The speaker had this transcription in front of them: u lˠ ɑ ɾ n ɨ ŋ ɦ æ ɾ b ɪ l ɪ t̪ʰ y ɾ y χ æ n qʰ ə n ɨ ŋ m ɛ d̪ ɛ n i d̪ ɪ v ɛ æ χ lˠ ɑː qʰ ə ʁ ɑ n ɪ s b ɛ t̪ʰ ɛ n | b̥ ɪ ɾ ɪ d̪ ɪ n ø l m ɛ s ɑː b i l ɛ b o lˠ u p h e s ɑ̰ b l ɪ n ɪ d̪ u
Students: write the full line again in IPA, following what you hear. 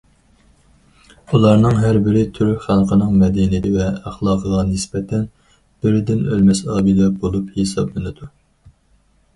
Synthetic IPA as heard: u lˠ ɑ ɾ n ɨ ŋ ɦ æ ɾ b ɪ ɾ ɪ t̪ʰ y ɾ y χ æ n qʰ ə n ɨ ŋ m ɛ d̪ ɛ n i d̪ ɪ v ɛ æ χ lˠ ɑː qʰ ə ʁ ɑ n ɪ s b ɛ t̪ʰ ɛ n | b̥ ɪ ɾ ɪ d̪ ɪ n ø l m ɛ s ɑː b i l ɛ b o lˠ u p h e s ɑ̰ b l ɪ n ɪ d̪ u